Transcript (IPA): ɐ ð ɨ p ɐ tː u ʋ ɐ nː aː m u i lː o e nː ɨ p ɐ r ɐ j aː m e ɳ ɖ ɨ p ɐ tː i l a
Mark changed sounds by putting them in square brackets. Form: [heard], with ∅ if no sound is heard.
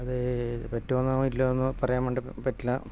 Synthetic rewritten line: ɐ ð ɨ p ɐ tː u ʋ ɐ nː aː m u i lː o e nː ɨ p ɐ r ɐ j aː m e ɳ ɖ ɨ p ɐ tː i l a